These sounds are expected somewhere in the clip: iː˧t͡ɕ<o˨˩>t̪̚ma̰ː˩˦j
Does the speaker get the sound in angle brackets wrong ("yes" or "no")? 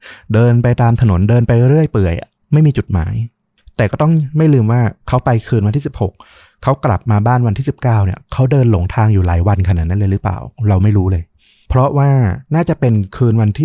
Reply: yes